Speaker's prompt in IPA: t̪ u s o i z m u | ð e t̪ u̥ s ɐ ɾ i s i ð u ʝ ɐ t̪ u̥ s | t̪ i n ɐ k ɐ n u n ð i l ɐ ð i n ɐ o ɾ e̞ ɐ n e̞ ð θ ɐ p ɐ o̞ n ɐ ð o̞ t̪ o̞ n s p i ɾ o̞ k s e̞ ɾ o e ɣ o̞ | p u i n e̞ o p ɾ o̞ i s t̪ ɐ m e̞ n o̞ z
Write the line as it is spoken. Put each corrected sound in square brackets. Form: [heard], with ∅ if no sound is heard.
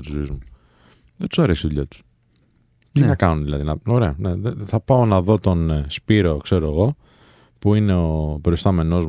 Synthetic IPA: t̪ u [z] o i z m u | ð e t̪ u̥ s ɐ ɾ [e] s i ð u [ʎ] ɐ t̪ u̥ s | t̪ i n ɐ k ɐ n u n ð i l ɐ ð i n ɐ o ɾ e̞ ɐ n e̞ ð θ ɐ p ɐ o̞ n ɐ ð o̞ t̪ o̞ n s p i ɾ o̞ k s e̞ ɾ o e ɣ o̞ | p u i n e̞ o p ɾ o̞ i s t̪ ɐ m e̞ n o̞ z